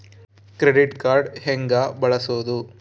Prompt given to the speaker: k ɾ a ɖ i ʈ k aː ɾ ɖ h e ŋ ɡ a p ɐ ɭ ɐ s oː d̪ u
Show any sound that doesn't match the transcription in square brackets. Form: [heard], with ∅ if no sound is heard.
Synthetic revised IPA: k ɾ [e] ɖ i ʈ k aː ɾ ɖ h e ŋ ɡ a [b] ɐ ɭ ɐ s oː d̪ u